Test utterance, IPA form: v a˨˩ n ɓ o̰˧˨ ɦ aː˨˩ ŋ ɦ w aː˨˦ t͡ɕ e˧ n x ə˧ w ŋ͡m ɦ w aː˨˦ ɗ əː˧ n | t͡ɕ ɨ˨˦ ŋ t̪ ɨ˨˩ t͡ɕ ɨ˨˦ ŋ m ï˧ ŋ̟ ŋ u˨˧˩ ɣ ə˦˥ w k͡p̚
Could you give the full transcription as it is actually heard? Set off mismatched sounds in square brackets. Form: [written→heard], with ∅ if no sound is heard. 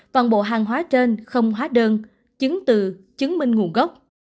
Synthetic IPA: v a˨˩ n ɓ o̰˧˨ ɦ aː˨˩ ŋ ɦ w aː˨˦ t͡ɕ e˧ n x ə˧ w ŋ͡m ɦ w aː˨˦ ɗ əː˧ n | t͡ɕ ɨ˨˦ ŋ t̪ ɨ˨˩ t͡ɕ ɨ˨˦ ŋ m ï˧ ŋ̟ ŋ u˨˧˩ ɣ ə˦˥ w k͡p̚